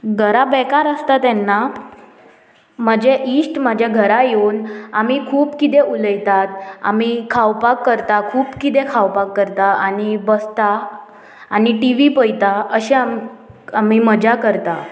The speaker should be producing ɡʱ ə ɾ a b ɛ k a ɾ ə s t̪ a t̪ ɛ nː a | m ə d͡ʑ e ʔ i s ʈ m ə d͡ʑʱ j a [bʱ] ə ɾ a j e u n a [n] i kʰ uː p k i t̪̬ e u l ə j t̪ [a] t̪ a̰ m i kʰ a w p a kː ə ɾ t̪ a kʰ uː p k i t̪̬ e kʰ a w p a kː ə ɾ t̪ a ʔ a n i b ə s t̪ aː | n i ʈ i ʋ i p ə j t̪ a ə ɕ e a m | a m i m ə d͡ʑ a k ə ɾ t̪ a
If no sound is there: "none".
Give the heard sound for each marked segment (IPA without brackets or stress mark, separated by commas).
ɡʱ, m, a